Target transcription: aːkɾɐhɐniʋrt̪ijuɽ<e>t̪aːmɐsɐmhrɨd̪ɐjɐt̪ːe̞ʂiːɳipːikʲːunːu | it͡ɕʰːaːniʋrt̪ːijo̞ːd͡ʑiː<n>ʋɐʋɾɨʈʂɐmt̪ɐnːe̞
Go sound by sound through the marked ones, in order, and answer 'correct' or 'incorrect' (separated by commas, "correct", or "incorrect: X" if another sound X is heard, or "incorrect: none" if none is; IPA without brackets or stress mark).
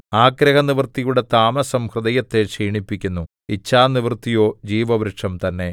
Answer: correct, incorrect: none